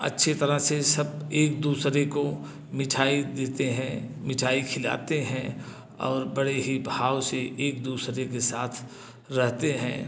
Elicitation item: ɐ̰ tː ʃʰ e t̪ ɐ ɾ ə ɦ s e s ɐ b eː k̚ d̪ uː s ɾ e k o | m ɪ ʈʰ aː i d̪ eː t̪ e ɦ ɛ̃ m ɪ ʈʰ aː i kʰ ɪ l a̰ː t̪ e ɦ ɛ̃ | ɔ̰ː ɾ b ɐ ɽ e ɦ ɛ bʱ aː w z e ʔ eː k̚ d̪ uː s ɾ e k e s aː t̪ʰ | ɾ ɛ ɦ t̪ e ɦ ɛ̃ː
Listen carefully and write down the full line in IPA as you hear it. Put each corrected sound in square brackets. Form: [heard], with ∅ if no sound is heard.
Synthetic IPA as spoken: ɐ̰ tː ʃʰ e t̪ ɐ ɾ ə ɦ s e s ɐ b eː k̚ d̪ uː s ɾ e k o | m ɪ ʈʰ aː i d̪ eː t̪ e ɦ ɛ̃ m ɪ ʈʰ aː i kʰ ɪ l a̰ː t̪ e ɦ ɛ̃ | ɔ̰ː ɾ b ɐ ɽ e ɦ [i] bʱ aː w [s] e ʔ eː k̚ d̪ uː s ɾ e k e s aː t̪ʰ | ɾ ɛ ɦ t̪ e ɦ ɛ̃ː